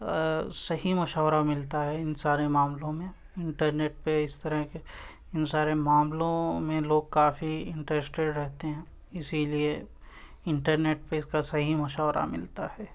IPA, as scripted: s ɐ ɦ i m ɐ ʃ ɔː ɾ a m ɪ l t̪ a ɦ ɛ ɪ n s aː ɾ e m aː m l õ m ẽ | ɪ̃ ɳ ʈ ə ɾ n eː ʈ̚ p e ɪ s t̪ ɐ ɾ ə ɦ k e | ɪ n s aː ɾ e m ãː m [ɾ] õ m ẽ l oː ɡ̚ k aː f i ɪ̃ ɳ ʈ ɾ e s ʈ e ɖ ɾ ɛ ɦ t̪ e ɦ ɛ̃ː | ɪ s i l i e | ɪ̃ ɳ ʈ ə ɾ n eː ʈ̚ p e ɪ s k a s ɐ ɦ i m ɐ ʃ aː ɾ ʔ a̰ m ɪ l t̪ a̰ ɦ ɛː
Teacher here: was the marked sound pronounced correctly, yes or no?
no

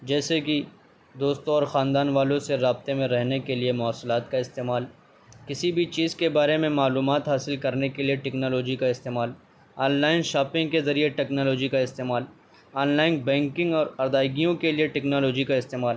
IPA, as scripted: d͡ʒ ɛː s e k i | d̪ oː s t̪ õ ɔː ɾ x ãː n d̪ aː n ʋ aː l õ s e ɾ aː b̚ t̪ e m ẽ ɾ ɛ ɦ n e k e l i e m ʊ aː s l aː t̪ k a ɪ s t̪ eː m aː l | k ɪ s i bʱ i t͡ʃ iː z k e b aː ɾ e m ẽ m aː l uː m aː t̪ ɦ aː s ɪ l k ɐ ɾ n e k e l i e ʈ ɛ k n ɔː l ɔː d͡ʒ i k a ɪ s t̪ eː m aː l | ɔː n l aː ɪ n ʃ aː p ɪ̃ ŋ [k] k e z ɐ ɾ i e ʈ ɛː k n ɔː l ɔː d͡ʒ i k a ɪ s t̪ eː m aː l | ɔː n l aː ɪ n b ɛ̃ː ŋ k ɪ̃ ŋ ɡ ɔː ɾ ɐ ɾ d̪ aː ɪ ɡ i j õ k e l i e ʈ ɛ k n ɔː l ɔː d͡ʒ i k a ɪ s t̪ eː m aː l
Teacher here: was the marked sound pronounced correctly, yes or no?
no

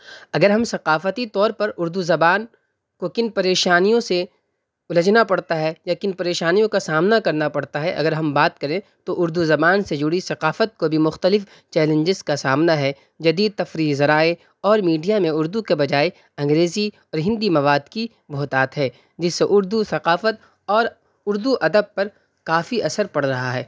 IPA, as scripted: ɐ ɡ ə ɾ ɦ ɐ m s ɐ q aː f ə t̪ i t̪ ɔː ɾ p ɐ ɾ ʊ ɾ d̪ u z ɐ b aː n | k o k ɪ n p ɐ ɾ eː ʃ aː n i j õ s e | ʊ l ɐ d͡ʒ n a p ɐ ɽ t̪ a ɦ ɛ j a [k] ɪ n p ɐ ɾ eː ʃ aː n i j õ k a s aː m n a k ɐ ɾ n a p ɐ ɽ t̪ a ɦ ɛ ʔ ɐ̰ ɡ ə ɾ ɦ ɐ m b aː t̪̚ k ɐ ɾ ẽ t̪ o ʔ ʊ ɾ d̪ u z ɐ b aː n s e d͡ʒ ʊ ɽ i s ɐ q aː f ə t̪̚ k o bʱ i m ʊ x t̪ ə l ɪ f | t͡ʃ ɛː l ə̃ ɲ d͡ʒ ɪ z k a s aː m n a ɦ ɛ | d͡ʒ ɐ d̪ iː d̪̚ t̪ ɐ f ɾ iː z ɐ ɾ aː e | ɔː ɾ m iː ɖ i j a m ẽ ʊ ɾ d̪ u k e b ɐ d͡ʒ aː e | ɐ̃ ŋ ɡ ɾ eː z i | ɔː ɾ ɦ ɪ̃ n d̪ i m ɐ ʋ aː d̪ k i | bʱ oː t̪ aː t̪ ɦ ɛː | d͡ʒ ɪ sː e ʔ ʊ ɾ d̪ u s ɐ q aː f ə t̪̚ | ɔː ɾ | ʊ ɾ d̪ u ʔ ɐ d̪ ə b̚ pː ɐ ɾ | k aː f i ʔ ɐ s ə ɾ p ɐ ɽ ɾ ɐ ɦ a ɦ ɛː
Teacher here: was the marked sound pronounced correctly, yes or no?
yes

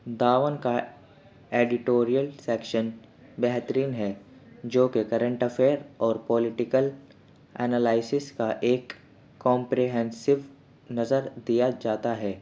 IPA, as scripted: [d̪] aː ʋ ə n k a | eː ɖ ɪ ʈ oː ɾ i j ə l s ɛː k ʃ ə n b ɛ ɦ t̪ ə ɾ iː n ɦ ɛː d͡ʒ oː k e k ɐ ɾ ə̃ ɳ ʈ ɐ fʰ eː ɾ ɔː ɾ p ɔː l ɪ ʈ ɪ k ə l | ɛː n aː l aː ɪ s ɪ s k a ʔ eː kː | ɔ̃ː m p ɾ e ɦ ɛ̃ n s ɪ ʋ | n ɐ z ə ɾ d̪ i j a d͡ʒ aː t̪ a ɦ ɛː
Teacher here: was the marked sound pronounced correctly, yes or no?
yes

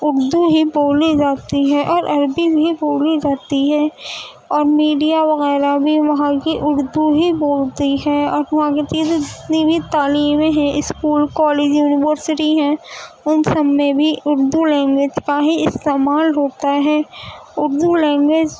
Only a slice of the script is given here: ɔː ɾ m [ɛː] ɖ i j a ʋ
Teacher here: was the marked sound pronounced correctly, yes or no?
no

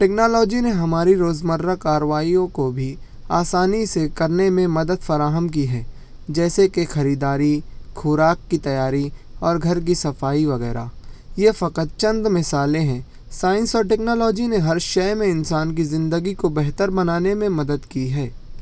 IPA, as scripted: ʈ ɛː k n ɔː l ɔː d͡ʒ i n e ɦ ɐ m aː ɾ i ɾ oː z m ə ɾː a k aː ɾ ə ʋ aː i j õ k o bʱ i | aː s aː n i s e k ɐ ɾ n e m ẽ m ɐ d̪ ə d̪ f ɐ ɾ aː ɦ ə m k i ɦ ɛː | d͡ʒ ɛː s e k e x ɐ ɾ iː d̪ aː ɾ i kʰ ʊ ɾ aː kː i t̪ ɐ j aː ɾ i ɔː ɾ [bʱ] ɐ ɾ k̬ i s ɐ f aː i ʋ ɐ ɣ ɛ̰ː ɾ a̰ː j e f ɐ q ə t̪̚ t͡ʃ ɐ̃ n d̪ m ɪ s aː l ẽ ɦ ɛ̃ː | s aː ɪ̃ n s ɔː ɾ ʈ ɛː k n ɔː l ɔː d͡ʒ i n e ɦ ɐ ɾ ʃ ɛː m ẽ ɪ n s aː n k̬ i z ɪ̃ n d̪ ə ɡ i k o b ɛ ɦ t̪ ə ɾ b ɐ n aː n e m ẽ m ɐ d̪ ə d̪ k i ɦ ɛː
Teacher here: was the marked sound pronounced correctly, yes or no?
no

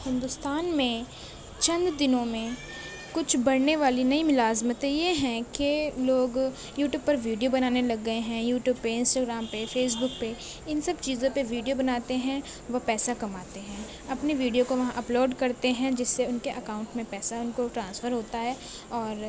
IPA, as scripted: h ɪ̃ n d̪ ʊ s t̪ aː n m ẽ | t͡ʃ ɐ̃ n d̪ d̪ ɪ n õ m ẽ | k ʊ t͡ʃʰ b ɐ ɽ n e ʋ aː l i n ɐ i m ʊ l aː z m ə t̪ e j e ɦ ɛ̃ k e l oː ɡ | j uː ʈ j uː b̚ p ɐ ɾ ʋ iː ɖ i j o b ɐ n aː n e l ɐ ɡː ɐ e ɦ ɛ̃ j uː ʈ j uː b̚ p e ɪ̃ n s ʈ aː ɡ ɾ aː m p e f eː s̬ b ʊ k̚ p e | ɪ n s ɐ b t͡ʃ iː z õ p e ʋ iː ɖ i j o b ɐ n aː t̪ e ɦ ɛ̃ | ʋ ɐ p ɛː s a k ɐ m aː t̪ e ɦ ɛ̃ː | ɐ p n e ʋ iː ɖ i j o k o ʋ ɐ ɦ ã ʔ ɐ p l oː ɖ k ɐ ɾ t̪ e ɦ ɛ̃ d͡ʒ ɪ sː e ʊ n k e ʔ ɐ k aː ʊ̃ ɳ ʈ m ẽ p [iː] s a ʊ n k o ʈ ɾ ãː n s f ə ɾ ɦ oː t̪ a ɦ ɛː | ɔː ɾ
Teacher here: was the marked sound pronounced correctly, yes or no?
no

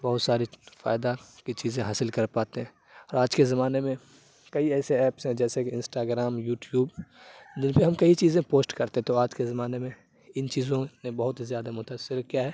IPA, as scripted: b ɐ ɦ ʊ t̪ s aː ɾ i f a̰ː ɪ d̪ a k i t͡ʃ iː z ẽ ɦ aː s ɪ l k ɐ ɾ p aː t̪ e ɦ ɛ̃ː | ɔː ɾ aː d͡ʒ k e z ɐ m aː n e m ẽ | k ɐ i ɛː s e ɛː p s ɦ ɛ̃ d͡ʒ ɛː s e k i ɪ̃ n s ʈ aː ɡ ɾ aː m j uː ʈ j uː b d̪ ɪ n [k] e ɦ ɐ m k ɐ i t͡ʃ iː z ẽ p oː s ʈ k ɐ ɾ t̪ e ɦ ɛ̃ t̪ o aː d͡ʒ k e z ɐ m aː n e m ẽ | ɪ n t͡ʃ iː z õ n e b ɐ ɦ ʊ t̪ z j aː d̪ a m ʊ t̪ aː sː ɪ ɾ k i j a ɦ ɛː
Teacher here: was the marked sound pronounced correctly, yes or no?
no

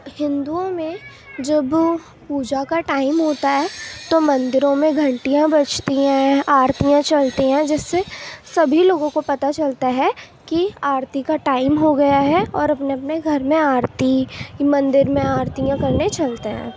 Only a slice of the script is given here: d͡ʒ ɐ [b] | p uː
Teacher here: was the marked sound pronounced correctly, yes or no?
yes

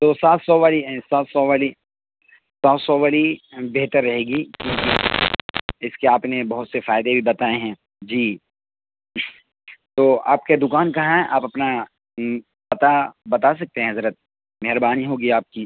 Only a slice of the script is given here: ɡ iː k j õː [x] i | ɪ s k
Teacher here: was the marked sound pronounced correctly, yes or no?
no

